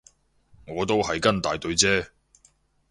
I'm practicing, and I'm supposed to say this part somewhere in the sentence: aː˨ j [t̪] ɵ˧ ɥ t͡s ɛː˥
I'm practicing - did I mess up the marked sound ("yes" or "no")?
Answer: no